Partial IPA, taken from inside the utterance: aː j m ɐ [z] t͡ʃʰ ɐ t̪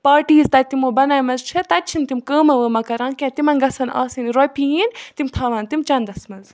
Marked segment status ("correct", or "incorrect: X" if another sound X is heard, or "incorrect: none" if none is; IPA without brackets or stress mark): correct